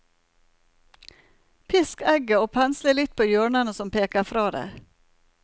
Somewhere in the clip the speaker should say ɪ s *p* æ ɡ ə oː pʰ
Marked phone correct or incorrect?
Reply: incorrect: k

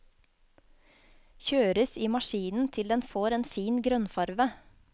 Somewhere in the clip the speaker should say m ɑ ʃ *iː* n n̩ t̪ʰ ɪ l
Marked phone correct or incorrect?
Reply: correct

